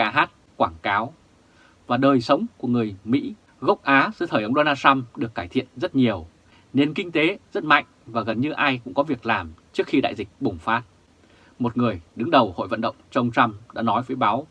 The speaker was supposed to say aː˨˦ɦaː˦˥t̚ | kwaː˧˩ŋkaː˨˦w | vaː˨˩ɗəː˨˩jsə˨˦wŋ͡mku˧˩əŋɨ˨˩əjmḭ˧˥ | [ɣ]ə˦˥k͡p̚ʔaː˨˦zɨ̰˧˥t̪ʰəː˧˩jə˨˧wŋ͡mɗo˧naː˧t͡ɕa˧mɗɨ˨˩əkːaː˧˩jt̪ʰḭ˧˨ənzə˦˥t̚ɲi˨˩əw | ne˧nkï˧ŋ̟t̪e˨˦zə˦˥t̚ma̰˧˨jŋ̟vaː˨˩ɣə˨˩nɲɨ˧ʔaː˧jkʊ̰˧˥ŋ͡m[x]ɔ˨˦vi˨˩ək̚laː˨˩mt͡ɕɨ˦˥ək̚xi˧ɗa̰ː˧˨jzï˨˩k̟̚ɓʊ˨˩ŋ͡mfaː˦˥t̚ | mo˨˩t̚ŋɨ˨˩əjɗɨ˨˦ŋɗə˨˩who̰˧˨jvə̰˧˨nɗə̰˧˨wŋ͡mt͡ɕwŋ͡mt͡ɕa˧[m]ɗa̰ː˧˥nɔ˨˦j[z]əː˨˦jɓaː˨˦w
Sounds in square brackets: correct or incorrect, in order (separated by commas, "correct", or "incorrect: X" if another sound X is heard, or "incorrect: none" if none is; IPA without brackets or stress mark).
correct, incorrect: k, correct, incorrect: v